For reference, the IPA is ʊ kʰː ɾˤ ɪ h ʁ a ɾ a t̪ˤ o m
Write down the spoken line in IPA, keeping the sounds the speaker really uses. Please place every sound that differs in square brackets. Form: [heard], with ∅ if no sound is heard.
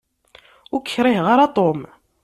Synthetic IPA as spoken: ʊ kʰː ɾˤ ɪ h ʁ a ɾ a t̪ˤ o m